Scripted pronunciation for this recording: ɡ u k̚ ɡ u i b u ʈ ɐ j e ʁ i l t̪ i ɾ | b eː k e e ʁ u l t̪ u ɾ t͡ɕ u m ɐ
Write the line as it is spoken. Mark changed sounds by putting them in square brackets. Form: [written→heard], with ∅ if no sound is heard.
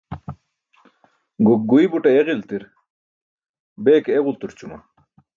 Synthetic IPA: ɡ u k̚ ɡ u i b u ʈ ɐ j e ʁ i l t̪ i ɾ | b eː k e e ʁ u l t̪ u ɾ t͡ɕ u m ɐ